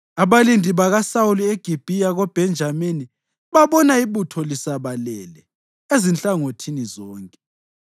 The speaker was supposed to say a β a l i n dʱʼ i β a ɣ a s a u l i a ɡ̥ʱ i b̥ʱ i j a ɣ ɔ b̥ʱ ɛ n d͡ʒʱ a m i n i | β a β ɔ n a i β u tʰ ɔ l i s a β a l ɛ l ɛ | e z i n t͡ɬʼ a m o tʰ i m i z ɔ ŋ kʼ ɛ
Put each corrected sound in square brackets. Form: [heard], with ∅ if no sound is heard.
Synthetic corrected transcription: a β a l i n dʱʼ i β a ɣ a s a u l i [e] ɡ̥ʱ i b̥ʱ i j a ɣ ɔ b̥ʱ ɛ n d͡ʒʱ a m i n i | β a β ɔ n a i β u tʰ ɔ l i s a β a l ɛ l ɛ | e z i n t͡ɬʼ a [ŋ] o tʰ i [n] i z [ɔː] ŋ kʼ ɛ